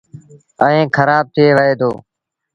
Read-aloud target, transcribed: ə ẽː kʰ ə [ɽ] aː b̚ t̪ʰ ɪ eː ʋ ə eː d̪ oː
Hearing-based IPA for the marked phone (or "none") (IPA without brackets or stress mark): ɾ